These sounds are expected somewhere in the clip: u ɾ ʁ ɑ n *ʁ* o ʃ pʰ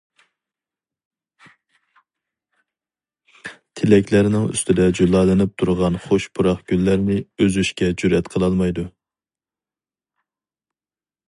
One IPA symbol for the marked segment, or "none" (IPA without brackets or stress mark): χ